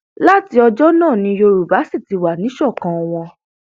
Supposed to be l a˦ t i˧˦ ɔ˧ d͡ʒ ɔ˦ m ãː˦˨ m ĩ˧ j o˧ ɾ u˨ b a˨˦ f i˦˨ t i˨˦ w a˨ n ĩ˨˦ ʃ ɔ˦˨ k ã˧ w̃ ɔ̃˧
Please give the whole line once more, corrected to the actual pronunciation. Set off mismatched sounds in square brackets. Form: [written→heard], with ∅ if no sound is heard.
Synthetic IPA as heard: l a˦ t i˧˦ ɔ˧ d͡ʒ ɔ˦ [m→n] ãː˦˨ [m→n] ĩ˧ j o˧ ɾ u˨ b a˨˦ [f→s] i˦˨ t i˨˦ w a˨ n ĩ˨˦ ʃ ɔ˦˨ k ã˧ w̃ ɔ̃˧